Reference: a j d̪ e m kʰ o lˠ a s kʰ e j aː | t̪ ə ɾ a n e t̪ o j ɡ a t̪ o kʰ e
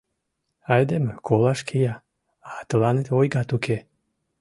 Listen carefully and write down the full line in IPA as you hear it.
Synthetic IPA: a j d̪ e m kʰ o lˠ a ʃ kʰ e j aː | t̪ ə l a n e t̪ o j ɡ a t̪ u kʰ e